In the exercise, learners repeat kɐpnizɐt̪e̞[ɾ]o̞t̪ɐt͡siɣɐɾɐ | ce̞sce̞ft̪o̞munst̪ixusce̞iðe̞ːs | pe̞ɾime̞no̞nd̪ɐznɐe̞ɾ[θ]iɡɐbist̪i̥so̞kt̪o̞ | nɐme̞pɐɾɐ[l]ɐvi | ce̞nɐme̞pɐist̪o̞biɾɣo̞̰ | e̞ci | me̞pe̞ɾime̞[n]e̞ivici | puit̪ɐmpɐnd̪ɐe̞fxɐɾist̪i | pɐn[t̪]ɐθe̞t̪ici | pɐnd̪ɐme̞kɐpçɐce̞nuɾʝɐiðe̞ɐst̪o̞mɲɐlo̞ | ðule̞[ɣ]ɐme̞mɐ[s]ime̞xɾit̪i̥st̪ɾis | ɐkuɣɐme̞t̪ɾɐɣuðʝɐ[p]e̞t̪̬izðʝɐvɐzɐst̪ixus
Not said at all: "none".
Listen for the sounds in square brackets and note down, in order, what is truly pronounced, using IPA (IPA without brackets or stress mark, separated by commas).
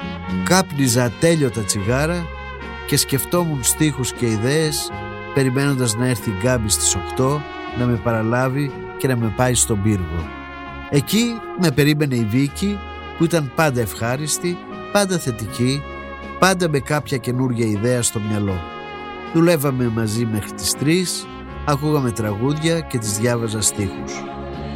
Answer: ʎ, θ, l, n, d̪, v, z, c